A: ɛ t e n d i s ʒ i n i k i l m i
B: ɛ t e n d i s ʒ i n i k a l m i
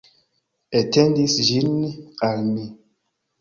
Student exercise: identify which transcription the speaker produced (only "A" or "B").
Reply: B